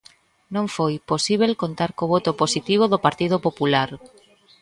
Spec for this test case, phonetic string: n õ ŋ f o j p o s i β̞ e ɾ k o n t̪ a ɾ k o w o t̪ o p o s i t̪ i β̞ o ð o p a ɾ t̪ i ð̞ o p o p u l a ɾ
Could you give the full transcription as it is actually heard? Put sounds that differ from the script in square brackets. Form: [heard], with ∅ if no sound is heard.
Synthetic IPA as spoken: n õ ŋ f o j p o s i β̞ e [l] k o n t̪ a ɾ k o [β] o t̪ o p o s i t̪ i β̞ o ð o p a ɾ t̪ i ð̞ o p o p u l a ɾ